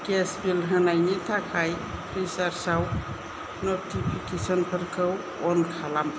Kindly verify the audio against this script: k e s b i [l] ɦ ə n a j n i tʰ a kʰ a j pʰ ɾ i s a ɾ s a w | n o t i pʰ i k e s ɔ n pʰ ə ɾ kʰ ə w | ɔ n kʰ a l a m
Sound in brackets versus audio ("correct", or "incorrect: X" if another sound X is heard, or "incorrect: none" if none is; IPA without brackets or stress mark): correct